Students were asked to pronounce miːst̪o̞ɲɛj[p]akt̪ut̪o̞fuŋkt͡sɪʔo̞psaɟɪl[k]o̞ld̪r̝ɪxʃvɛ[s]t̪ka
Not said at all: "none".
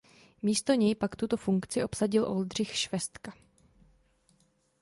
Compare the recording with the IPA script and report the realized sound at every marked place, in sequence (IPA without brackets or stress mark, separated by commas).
p, ʔ, s